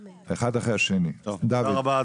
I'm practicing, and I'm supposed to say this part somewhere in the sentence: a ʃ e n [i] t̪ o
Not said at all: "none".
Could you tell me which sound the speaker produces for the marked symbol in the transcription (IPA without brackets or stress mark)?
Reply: i